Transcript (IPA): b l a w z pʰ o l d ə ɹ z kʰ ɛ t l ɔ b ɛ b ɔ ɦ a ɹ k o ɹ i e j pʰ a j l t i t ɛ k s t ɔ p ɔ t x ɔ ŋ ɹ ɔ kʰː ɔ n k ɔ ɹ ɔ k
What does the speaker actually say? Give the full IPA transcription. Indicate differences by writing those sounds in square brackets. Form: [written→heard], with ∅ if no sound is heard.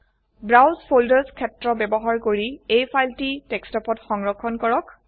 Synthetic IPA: b [l→ɹ] a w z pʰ o l d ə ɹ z kʰ ɛ t [l→ɹ] ɔ b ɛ b ɔ ɦ a ɹ k o ɹ i e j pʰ a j l t i t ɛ k s t ɔ p ɔ t x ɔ ŋ ɹ ɔ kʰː ɔ n k ɔ ɹ ɔ k